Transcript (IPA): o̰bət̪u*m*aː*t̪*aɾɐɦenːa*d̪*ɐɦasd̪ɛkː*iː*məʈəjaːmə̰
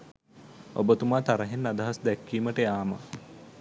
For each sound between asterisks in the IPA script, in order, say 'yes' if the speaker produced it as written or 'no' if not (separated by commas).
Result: yes, yes, yes, yes